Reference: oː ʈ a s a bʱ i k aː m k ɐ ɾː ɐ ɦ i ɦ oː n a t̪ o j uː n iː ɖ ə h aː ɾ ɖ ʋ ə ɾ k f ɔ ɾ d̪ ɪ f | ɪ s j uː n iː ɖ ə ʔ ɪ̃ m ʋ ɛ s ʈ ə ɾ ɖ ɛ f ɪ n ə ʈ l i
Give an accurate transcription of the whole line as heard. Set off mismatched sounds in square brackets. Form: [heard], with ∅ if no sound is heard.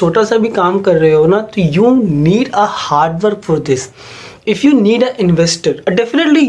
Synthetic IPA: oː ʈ a s a bʱ i k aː m k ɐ ɾː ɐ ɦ [e] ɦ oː n a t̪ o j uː n iː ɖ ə h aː ɾ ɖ ʋ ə ɾ k f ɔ ɾ d̪ ɪ [s] | ɪ [f] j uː n iː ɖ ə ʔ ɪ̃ [n] ʋ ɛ s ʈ ə ɾ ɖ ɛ f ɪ n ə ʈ l i